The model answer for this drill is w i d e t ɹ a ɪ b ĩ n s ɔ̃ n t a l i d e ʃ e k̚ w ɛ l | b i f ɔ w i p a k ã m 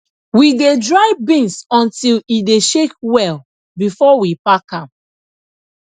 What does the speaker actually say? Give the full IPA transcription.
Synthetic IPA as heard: w i d e d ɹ a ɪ b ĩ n s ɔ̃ n t i l i d e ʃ e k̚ w ɛ l | b i f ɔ w i p a k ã m